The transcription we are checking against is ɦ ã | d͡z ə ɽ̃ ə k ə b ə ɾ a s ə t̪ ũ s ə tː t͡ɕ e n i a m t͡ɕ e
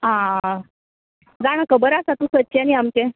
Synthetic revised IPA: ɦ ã | d͡z a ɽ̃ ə k ə b ə ɾ a s a t̪ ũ s ə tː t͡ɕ a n i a m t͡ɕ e